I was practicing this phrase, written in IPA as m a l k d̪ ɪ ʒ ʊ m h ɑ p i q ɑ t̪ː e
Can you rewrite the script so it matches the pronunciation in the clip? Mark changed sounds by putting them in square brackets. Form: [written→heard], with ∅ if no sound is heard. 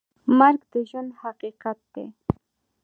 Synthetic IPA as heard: m a [l→ɾ] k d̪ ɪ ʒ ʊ [m→n] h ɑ [p→q] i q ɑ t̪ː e